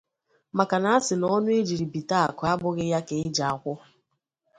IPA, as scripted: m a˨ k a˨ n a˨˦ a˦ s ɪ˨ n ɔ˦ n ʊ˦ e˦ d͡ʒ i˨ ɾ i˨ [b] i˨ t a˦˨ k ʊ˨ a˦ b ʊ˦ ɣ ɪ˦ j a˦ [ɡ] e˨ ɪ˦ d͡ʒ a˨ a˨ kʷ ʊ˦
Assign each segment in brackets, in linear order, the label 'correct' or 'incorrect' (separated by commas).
correct, incorrect